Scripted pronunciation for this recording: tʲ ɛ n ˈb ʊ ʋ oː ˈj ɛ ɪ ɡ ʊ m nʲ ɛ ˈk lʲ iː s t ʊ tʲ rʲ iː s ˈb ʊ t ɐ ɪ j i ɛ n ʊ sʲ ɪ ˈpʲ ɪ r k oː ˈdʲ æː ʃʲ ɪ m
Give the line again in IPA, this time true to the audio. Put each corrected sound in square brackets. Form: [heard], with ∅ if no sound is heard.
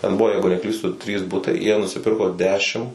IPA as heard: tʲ ɛ n ˈb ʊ ʋ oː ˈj ɛ ɪ ɡ ʊ [∅] nʲ ɛ ˈk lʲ iː s t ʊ tʲ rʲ iː s ˈb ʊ t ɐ ɪ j i ɛ n ʊ sʲ ɪ ˈpʲ ɪ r k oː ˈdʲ æː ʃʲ ɪ m